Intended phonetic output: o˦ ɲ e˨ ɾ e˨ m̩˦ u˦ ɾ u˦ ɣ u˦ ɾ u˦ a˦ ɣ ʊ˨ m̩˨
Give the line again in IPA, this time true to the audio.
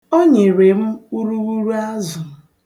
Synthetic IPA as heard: o˦ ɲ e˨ ɾ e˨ m̩˦ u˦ ɾ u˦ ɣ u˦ ɾ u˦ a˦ z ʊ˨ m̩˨